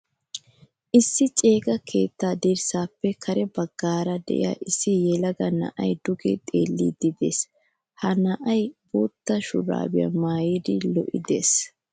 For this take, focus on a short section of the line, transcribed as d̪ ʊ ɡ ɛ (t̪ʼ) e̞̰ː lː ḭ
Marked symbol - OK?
yes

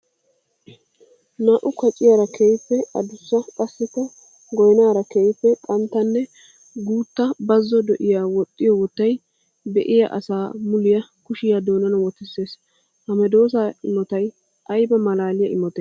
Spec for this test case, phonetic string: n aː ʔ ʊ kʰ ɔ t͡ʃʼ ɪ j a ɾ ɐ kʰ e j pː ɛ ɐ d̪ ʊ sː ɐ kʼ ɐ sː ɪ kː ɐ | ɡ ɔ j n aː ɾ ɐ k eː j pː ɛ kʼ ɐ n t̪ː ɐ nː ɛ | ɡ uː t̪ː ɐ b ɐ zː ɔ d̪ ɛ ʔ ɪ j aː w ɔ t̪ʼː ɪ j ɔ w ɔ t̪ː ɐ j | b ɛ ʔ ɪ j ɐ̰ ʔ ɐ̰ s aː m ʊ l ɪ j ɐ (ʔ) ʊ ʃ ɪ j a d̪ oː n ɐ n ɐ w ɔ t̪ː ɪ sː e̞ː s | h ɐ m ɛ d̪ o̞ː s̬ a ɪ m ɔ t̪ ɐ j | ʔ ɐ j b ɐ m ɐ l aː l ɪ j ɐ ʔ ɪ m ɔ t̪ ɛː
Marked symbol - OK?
no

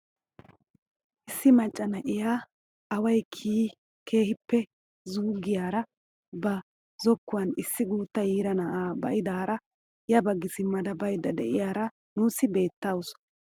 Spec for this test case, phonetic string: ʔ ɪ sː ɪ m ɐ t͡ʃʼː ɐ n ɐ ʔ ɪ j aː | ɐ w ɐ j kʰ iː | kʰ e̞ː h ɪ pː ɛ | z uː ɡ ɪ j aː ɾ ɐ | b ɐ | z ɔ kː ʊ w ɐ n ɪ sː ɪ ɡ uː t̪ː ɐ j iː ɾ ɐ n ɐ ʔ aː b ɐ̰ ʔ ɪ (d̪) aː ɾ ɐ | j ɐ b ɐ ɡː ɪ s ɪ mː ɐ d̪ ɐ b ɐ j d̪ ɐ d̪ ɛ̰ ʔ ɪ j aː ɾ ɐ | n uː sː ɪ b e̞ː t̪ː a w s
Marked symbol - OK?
yes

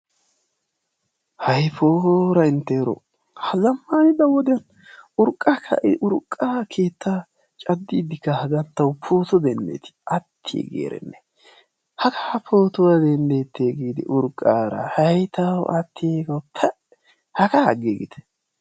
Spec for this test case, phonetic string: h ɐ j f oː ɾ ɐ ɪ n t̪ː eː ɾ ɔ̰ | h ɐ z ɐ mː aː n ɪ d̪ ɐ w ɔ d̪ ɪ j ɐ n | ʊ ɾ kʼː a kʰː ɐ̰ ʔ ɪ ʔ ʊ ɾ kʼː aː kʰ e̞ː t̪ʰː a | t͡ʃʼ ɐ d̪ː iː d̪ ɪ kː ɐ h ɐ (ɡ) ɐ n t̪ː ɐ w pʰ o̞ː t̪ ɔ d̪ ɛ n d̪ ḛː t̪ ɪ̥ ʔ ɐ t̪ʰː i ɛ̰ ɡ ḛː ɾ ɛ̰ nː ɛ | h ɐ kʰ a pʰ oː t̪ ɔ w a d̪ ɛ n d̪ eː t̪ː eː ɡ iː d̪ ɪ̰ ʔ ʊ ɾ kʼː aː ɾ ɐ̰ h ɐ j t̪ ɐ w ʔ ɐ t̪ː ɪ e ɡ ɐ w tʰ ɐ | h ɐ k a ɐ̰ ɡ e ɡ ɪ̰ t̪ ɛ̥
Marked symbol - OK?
yes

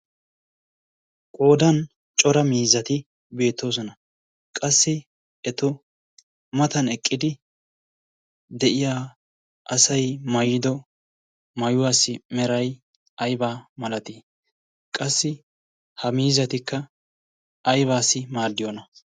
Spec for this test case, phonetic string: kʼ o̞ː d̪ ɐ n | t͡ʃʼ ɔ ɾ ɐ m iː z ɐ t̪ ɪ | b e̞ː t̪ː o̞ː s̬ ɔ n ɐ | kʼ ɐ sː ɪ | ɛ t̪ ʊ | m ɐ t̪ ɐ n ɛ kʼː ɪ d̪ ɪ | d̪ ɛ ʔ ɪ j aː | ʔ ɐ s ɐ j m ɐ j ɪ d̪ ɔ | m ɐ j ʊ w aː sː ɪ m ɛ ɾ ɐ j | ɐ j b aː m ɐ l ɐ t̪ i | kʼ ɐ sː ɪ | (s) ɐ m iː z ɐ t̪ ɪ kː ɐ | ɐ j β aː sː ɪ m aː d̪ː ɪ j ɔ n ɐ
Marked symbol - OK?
no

